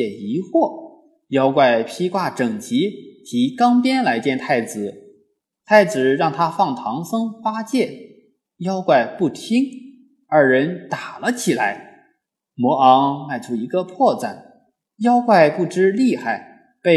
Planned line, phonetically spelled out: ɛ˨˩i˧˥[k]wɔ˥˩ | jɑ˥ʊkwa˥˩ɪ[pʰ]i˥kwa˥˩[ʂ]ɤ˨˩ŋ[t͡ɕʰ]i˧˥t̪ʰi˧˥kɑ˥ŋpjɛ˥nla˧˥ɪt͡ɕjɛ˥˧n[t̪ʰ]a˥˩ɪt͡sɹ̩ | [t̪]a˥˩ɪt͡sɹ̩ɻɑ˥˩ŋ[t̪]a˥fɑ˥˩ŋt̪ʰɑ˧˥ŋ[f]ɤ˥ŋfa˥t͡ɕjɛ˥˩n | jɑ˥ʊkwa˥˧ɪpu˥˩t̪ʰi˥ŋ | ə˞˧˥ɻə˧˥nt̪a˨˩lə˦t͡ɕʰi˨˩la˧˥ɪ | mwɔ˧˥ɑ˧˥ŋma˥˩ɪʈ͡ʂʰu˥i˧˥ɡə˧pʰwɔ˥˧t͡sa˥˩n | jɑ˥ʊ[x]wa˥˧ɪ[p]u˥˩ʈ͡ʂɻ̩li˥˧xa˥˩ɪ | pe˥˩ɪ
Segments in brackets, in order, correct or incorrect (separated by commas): incorrect, correct, incorrect, incorrect, correct, incorrect, incorrect, incorrect, incorrect, correct